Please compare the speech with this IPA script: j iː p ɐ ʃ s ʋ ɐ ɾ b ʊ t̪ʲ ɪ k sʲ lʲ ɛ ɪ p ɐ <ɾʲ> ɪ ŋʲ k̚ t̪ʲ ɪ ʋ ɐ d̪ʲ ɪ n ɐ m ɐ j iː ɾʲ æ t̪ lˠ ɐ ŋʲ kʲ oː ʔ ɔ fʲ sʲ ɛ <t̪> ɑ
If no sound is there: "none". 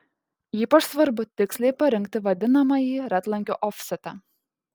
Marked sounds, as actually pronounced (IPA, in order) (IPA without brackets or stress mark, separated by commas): ɾʲ, t̪